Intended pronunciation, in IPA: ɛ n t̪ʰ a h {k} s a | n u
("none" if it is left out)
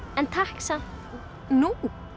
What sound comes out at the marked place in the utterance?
k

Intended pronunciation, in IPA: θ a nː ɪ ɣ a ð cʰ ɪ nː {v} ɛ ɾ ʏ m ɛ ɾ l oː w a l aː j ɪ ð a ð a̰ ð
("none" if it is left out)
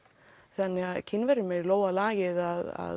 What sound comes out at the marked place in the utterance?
v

